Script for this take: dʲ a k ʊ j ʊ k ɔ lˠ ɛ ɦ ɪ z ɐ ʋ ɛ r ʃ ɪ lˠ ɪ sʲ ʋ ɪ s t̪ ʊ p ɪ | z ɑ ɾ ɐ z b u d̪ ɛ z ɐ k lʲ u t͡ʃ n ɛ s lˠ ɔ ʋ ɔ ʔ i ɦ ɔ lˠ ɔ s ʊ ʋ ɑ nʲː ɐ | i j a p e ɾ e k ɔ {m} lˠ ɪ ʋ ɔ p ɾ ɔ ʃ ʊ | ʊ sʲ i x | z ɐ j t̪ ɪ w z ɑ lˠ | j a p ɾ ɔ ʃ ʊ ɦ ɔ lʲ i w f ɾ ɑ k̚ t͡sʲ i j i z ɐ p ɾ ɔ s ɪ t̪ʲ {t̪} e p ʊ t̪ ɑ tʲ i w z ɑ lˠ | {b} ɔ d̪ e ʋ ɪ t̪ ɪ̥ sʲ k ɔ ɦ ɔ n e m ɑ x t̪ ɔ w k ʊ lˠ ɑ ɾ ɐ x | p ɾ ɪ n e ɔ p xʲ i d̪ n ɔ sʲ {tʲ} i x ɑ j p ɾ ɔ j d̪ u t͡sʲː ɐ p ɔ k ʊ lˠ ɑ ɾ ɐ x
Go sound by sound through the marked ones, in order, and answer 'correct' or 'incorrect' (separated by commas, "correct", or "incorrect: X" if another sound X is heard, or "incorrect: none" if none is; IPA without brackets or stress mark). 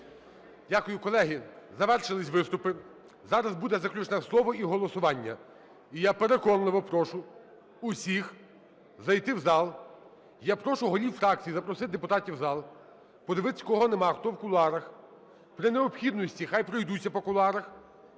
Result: incorrect: n, incorrect: d̪, incorrect: p, correct